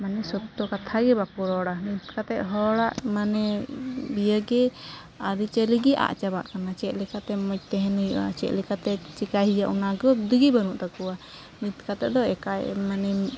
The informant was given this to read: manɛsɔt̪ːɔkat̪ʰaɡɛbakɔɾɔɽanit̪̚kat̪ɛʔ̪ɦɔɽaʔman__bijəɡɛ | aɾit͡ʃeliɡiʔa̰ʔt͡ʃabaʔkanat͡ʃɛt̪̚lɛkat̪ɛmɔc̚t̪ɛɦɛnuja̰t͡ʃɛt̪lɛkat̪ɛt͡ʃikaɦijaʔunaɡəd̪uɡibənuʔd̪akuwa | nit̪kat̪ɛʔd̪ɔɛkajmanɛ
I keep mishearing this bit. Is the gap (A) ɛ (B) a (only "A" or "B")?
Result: A